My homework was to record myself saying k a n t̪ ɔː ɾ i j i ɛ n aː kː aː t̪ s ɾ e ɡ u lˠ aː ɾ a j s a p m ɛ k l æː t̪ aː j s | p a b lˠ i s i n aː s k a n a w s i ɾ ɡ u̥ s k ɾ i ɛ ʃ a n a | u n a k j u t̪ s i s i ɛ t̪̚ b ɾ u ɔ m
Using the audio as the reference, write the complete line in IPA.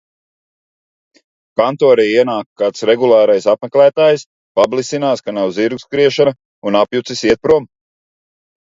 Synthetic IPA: k a n t̪ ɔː ɾ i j i ɛ n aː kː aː t̪ s ɾ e ɡ u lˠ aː ɾ a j s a p m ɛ k l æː t̪ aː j s | p a b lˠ i s i n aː s k a n a w z i ɾ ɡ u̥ s k ɾ i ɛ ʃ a n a | u n a p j u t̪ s i s i ɛ t̪̚ p ɾ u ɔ m